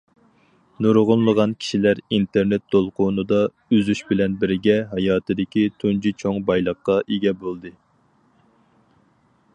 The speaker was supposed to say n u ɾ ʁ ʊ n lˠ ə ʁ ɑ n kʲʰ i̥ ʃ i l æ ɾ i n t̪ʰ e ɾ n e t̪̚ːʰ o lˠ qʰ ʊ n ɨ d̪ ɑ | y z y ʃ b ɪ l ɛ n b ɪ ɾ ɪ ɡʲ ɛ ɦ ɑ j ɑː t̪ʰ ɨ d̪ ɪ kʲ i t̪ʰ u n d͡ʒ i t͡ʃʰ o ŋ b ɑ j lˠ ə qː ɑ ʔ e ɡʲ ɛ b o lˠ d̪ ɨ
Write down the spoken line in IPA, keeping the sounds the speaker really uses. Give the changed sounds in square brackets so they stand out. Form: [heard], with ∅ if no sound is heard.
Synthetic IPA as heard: n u ɾ ʁ ʊ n lˠ ə ʁ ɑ n kʲʰ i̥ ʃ i l æ ɾ i n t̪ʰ e ɾ n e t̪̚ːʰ o lˠ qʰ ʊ n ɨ d̪ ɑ | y z y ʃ b ɪ l ɛ n b ɪ ɾ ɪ ɡʲ ɛ ɦ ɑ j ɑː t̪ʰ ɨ d̪ ɪ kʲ i t̪ʰ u n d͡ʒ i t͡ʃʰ o ŋ b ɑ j lˠ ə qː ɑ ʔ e ɡʲ ɛ b o lˠ d̪ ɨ